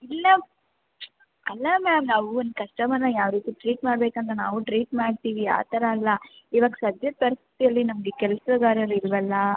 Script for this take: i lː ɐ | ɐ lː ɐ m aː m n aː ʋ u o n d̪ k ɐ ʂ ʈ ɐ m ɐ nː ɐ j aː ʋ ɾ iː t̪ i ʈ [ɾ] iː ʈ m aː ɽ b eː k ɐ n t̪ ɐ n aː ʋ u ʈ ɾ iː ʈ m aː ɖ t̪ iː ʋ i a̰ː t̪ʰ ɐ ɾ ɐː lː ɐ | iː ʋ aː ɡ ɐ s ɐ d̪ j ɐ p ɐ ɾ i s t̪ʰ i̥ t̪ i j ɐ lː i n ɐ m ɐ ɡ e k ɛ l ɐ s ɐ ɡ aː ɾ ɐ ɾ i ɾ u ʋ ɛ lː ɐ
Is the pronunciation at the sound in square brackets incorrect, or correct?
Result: correct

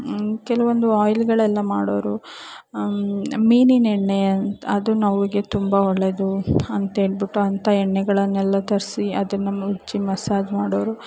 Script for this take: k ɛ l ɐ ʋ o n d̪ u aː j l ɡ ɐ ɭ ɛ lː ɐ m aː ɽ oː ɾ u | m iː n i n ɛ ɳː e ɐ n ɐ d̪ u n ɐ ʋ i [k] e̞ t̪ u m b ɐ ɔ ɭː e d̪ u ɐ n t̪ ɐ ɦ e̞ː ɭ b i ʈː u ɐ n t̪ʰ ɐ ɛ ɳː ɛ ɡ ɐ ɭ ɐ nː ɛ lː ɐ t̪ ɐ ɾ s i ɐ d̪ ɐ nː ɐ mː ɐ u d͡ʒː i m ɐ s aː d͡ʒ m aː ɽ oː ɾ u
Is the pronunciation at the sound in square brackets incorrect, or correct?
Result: incorrect: ɡ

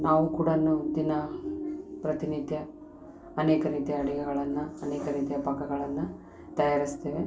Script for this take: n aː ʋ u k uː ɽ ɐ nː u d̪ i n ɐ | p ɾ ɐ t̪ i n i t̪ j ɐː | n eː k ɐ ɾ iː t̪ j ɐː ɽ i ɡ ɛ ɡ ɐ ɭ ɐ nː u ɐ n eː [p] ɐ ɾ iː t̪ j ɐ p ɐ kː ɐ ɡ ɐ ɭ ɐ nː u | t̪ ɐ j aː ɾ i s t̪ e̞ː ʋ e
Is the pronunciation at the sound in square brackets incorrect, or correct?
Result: incorrect: k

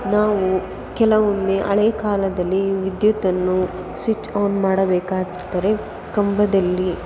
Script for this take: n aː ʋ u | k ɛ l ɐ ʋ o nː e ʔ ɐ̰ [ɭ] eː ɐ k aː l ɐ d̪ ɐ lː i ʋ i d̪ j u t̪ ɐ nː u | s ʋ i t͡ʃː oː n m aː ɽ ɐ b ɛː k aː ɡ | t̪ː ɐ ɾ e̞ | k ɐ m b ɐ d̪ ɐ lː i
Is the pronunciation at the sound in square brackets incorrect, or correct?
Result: correct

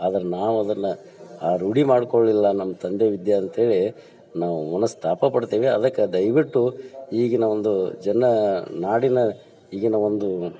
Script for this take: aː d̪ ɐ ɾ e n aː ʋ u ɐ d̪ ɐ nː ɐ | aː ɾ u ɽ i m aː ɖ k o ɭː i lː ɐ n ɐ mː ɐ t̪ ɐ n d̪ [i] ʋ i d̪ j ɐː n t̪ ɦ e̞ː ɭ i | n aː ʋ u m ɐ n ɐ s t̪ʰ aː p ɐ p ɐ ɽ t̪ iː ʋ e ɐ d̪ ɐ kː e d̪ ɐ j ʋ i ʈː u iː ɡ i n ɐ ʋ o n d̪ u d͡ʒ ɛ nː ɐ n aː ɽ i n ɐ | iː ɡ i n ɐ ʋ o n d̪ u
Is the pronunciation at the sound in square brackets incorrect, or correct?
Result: incorrect: e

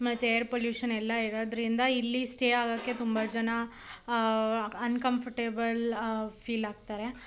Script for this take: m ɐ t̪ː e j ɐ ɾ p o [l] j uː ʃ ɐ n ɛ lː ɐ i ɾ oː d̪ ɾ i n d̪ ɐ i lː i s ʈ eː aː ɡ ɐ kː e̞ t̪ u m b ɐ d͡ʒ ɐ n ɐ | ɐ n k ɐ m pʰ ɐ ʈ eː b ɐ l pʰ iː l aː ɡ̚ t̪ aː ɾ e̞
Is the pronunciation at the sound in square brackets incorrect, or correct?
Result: correct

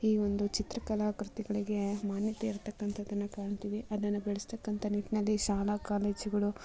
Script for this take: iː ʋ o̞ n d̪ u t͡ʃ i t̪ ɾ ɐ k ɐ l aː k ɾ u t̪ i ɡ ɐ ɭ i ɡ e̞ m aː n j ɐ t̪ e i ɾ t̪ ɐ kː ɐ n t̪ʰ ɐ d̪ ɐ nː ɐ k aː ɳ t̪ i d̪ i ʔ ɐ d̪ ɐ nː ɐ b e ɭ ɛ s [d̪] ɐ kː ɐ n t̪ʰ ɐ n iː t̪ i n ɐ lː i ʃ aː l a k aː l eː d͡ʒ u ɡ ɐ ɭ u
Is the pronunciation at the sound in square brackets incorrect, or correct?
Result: incorrect: t̪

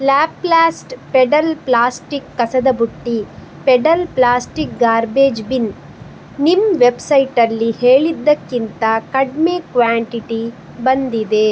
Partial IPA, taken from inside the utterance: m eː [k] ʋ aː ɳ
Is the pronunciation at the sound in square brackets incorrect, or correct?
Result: correct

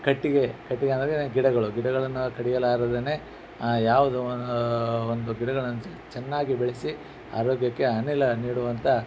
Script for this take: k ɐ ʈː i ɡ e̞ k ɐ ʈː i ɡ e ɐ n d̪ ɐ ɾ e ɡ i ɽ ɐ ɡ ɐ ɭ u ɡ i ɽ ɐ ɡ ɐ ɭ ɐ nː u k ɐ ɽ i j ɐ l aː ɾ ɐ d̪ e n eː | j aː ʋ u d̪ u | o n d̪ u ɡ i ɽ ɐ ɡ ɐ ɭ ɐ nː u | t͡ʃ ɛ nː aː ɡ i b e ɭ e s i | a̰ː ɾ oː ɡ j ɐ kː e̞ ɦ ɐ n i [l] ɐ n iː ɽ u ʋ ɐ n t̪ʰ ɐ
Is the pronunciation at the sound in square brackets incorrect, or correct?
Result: correct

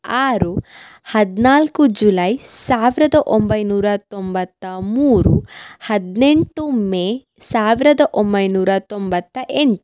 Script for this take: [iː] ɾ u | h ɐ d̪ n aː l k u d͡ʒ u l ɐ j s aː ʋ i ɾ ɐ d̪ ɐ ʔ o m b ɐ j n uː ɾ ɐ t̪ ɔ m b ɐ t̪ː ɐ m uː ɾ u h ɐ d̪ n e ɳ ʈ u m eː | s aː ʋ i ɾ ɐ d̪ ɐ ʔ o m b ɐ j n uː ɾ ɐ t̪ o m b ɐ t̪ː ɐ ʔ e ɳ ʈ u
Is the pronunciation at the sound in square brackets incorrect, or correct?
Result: incorrect: aː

